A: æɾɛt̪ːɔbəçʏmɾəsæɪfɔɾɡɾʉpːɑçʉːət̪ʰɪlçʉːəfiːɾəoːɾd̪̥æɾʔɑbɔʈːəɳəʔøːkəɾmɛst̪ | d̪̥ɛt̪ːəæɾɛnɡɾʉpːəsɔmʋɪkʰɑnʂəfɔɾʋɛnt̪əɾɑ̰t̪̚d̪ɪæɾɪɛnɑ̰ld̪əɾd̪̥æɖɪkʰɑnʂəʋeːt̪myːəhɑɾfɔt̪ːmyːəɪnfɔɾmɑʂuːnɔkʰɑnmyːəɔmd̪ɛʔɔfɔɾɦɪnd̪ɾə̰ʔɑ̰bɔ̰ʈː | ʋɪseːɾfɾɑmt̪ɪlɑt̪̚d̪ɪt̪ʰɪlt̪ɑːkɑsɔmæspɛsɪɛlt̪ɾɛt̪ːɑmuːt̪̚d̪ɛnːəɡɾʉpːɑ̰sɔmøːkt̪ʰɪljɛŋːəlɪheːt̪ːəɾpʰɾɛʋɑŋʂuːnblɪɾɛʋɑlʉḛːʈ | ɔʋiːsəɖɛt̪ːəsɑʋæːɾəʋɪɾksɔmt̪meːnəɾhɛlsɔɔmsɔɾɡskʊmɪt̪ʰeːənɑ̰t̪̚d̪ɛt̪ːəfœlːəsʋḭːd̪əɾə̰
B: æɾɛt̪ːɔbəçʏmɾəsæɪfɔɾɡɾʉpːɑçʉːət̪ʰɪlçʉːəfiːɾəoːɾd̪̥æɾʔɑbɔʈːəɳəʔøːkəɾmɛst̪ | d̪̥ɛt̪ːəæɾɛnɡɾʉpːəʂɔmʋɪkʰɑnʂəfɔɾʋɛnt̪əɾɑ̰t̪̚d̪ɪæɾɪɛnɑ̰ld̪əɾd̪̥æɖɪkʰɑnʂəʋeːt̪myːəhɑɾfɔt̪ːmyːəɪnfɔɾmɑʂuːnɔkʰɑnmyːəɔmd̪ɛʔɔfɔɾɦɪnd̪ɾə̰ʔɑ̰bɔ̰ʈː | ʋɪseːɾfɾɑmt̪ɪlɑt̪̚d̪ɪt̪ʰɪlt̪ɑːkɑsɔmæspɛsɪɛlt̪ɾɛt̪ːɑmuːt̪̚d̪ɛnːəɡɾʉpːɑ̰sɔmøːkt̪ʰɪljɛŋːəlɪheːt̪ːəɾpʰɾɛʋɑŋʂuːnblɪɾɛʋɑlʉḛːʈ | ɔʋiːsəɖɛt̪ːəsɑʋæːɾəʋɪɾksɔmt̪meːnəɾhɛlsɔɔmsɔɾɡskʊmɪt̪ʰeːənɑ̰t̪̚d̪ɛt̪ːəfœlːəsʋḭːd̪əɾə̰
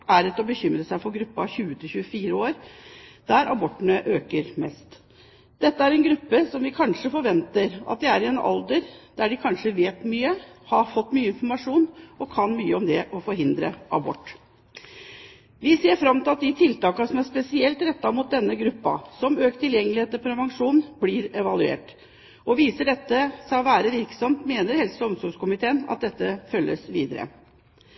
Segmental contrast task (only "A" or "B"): A